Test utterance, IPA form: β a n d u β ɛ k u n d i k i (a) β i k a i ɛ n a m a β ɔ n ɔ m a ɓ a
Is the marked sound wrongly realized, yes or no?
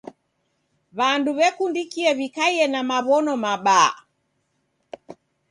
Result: yes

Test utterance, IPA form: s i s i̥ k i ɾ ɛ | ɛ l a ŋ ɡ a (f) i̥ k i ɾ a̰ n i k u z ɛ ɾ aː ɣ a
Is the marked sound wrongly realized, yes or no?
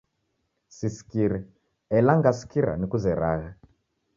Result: yes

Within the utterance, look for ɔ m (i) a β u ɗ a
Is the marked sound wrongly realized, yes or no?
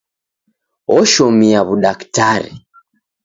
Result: no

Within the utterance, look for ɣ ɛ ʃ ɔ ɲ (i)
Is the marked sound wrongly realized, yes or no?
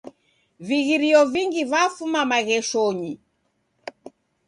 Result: no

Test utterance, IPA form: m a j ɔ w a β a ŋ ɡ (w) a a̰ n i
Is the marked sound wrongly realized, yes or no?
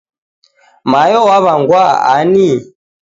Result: no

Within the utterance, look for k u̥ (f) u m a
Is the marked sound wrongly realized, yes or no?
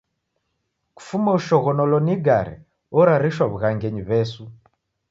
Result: no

